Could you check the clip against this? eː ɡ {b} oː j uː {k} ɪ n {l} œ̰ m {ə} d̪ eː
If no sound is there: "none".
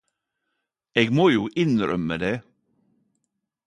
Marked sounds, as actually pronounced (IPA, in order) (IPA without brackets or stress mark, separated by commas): m, ʔ, ɾ, ə